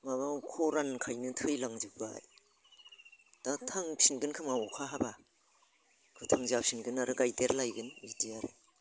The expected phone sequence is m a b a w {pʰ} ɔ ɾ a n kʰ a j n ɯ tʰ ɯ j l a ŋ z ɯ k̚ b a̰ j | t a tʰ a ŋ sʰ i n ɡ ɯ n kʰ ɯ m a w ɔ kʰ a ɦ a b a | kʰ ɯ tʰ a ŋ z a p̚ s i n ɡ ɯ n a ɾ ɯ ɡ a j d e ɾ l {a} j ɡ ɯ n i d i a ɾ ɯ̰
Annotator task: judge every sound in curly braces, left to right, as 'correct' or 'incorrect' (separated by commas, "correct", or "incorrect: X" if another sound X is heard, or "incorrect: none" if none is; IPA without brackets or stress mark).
incorrect: kʰ, correct